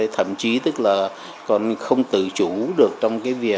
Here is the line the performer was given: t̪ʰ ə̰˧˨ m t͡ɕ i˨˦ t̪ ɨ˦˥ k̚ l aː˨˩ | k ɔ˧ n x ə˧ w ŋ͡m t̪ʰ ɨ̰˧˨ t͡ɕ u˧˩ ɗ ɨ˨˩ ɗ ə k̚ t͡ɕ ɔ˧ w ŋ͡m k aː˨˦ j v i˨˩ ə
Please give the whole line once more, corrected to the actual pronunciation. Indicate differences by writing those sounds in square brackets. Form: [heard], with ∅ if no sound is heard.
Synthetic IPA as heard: t̪ʰ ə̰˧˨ m t͡ɕ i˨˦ t̪ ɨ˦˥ k̚ l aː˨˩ | k [ɔ˨˩] n x ə˧ w ŋ͡m [t̪] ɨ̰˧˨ t͡ɕ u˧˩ ɗ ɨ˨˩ [∅] ə k̚ t͡ɕ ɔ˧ w ŋ͡m k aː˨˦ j v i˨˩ ə